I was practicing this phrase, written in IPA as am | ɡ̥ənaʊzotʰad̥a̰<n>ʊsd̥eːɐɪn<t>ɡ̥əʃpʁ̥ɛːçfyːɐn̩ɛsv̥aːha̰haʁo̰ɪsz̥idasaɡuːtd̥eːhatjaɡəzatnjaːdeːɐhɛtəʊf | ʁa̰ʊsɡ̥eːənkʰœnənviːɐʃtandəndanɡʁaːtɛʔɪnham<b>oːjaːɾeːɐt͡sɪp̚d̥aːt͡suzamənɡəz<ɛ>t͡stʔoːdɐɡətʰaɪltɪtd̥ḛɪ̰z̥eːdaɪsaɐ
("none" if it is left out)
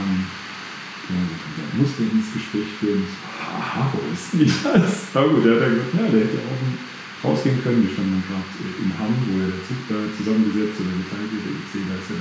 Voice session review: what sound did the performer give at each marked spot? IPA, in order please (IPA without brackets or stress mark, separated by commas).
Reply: m, s, v, ɛ